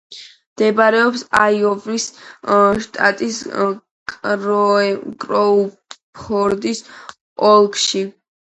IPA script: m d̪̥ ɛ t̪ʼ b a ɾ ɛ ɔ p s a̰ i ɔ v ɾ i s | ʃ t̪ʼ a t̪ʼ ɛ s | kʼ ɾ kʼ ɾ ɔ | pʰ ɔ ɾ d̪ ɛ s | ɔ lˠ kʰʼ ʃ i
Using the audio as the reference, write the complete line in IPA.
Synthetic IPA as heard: m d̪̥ ɛ b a ɾ ɛ ɔ p s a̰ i ɔ v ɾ i s | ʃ t̪ʼ a t̪ʼ i s | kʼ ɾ kʼ ɾ ɔ | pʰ ɔ ɾ d̪ i s | ɔ lˠ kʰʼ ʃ i

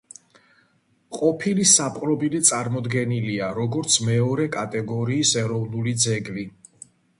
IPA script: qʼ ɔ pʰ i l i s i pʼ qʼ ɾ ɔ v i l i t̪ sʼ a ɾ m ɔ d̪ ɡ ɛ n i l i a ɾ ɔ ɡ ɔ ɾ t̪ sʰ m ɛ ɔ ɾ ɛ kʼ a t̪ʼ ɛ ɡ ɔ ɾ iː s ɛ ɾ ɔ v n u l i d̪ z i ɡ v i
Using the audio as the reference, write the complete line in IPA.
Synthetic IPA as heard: qʼ ɔ pʰ i l i s a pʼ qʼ ɾ ɔ b i l i t̪ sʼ a ɾ m ɔ d̪ ɡ ɛ n i l i a ɾ ɔ ɡ ɔ ɾ t̪ sʰ m ɛ ɔ ɾ ɛ kʼ a t̪ʼ ɛ ɡ ɔ ɾ iː s ɛ ɾ ɔ v n u l i d̪ z ɛ ɡ v i

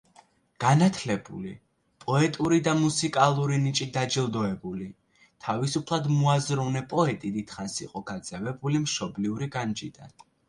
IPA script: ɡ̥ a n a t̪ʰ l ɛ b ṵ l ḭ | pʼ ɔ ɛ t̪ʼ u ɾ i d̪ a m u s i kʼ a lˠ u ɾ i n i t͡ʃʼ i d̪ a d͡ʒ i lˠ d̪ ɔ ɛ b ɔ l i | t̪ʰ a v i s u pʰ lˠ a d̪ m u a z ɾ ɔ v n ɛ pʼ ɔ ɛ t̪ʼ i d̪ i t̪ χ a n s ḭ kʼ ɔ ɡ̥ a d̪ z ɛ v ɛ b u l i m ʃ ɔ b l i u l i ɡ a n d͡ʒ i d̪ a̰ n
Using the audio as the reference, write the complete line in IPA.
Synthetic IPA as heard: ɡ̥ a n a t̪ʰ l ɛ b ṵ l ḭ | pʼ ɔ ɛ t̪ʼ u ɾ i d̪ a m u s i kʼ a lˠ u ɾ i n i t͡ʃʼ i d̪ a d͡ʒ i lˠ d̪ ɔ ɛ b u l i | t̪ʰ a v i s u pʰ lˠ a d̪ m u a z ɾ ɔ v n ɛ pʼ ɔ ɛ t̪ʼ i d̪ i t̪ χ a n s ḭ qʼ ɔ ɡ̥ a d̪ z ɛ v ɛ b u l i m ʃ ɔ b l i u ɾ i ɡ a n d͡ʒ i d̪ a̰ n

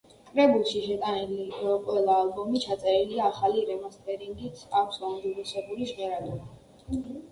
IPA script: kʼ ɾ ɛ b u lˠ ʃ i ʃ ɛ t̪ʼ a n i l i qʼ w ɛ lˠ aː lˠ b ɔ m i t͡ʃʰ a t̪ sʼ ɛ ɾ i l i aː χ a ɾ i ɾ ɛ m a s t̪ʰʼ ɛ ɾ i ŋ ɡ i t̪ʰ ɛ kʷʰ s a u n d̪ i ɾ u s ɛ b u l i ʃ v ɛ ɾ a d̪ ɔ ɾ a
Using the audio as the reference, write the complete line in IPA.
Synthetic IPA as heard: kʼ ɾ ɛ b u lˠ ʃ i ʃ ɛ t̪ʼ a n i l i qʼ w ɛ lˠ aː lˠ b ɔ m i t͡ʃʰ a t̪ sʼ ɛ ɾ i l i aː χ a l i ɾ ɛ m a s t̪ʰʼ ɛ ɾ i ŋ ɡ i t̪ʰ a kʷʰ s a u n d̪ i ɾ u s ɛ b u l i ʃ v ɛ ɾ a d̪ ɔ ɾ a

